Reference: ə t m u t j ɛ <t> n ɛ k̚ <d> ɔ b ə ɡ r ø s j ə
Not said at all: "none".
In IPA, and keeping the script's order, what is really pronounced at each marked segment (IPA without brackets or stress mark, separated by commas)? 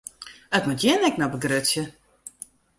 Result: none, n